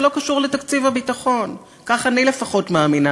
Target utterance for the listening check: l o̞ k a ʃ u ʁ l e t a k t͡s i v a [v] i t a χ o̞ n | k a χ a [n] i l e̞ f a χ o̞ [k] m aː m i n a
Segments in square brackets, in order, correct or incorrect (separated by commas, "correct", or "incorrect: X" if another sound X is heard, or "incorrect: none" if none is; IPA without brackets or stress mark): incorrect: b, correct, incorrect: t